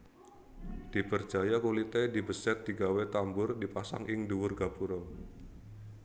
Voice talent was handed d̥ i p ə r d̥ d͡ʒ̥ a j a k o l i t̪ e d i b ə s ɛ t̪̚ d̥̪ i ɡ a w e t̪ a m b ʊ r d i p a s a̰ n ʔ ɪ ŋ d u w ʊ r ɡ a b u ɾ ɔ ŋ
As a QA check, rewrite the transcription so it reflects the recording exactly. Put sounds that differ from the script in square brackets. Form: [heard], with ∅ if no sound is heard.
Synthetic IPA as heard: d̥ i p ə r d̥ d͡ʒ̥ a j a k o l i t̪ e d i b ə s ɛ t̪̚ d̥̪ i ɡ a w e t̪ a m b ʊ r d i p a s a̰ [ŋ] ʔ ɪ ŋ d u w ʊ r ɡ a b u ɾ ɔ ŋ